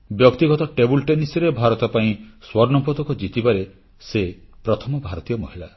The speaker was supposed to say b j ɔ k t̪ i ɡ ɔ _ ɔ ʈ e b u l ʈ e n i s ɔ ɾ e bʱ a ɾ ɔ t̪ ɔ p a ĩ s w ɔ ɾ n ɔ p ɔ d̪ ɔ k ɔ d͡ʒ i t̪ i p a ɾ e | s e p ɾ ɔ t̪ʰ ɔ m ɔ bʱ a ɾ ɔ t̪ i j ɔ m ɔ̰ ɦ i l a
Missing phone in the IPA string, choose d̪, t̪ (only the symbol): t̪